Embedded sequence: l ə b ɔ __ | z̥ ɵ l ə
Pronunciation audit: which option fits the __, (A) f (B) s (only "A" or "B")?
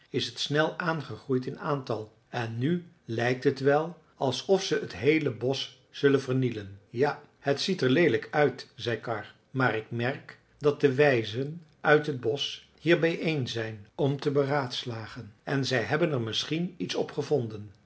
B